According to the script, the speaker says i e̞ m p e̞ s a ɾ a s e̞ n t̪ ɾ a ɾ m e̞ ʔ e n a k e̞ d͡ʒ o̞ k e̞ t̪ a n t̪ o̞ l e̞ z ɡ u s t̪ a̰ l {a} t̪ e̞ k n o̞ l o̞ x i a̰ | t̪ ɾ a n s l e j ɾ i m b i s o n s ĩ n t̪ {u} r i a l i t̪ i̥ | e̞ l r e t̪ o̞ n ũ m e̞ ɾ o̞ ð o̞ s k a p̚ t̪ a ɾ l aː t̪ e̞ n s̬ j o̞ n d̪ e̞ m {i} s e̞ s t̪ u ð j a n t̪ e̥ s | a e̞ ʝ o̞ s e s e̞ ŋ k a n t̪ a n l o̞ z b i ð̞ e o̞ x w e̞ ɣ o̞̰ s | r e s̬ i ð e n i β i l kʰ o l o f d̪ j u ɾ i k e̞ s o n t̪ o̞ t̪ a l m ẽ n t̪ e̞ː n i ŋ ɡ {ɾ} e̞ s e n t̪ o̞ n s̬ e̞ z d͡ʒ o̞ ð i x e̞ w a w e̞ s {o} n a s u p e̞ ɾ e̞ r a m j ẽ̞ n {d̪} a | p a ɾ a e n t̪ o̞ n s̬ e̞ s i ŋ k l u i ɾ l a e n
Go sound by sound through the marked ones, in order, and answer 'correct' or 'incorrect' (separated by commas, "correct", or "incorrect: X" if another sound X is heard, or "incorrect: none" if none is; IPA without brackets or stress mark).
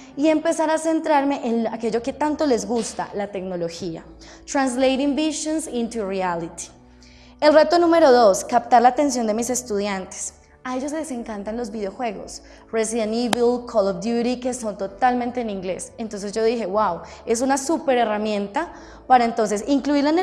correct, correct, correct, incorrect: l, incorrect: u, incorrect: t̪